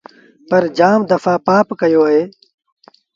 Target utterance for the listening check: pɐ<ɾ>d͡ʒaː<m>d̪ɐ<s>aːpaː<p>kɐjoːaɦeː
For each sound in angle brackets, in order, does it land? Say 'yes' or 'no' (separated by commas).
yes, yes, no, yes